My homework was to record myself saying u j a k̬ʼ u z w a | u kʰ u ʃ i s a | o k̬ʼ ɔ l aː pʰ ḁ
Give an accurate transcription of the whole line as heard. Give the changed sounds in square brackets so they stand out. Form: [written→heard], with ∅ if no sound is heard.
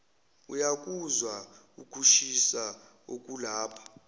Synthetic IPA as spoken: u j a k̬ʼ u z w a | u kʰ u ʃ i s a | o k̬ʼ [ɔ→u] l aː pʰ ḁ